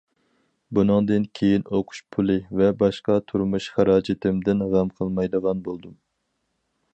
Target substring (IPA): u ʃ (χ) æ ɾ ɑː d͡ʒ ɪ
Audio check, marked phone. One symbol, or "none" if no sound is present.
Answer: χ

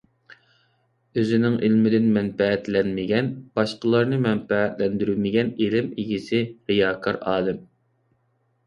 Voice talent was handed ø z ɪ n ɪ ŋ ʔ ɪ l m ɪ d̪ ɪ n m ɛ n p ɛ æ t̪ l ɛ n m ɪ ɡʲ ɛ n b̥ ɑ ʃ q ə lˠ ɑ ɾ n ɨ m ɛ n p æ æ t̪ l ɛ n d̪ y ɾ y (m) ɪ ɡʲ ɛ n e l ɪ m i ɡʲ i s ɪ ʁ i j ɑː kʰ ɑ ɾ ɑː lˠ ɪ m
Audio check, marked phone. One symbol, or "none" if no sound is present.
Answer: m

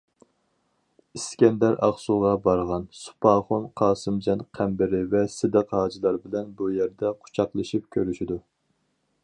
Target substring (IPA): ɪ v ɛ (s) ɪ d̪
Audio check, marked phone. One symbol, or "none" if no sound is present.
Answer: s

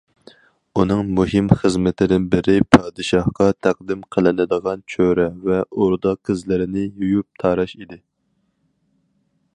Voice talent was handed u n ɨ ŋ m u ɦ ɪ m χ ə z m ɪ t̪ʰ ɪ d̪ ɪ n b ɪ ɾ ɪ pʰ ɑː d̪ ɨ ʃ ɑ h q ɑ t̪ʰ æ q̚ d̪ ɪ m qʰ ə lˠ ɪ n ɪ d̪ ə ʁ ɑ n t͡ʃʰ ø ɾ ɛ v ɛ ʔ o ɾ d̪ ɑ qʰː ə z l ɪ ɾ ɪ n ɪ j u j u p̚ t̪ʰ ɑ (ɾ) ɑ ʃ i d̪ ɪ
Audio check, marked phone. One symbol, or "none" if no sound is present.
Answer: ɾ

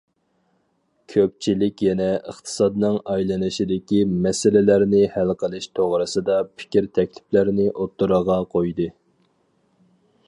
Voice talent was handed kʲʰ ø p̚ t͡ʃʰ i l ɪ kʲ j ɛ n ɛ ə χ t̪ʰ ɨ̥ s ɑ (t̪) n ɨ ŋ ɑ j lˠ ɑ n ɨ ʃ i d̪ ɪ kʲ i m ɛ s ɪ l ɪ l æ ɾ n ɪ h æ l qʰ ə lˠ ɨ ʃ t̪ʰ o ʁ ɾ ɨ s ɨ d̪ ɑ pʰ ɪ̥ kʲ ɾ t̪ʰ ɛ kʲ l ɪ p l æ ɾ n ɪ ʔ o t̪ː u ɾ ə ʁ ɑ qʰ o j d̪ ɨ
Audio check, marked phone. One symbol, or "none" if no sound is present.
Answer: d̪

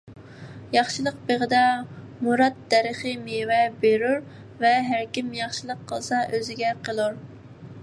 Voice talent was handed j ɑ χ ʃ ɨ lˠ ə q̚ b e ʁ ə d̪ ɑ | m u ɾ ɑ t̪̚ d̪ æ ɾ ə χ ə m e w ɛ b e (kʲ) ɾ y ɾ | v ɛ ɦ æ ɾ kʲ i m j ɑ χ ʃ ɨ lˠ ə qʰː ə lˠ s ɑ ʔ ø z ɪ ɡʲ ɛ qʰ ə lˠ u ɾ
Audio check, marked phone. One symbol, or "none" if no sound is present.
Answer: none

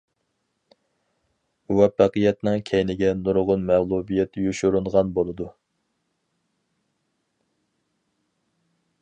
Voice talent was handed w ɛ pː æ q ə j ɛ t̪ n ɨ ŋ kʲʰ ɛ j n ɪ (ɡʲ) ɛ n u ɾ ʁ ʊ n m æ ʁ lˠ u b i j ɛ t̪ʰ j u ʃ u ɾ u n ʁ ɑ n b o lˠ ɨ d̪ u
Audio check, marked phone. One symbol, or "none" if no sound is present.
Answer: ɡʲ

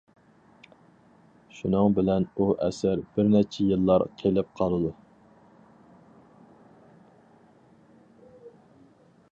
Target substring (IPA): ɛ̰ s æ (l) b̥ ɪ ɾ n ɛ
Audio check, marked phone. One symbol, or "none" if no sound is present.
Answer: ɾ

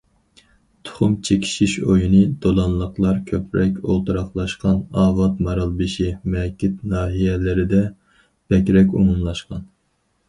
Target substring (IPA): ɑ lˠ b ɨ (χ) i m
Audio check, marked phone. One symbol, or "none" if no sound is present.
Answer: ʃ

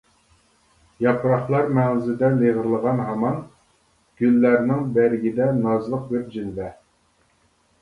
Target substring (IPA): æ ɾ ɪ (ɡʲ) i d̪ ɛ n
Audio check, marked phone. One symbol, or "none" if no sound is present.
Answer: ɡʲ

